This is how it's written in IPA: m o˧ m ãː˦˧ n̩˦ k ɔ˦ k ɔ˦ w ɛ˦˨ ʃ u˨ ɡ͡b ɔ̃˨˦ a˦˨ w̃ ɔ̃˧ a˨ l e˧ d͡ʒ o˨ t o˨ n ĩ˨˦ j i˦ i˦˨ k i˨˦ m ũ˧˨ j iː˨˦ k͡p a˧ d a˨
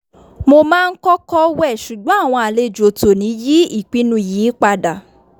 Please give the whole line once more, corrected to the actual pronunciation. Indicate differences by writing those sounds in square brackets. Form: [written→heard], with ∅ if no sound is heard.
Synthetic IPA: m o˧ m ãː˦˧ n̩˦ k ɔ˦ k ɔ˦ w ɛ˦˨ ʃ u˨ ɡ͡b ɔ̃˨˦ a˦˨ w̃ ɔ̃˧ a˨ l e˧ d͡ʒ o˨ t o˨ n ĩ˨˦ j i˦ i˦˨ [k→k͡p] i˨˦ [m→n] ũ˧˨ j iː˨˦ k͡p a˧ d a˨